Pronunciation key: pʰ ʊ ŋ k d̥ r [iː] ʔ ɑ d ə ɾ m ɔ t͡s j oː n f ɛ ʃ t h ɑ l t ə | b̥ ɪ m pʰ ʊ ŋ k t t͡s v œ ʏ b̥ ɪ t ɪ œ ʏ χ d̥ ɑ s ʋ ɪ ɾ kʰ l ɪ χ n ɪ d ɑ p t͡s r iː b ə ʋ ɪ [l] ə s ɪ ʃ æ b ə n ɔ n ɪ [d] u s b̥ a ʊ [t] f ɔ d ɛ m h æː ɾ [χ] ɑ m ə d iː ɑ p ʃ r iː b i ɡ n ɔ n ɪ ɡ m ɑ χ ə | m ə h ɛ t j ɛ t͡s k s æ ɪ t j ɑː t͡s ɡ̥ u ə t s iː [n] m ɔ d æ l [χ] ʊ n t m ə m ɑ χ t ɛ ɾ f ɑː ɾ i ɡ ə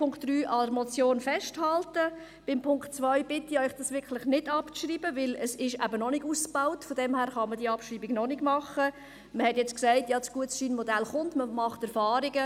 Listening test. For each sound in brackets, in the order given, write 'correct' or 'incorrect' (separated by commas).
incorrect, correct, incorrect, correct, correct, correct, correct